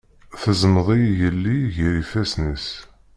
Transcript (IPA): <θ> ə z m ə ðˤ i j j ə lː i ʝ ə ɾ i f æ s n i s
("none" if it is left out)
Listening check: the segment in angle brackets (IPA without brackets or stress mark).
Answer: θ